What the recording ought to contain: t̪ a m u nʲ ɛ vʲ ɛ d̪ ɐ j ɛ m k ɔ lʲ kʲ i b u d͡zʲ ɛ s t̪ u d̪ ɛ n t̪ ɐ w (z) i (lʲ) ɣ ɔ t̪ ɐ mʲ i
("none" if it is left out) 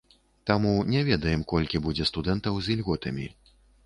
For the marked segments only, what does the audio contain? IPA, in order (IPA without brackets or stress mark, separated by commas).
z, lʲ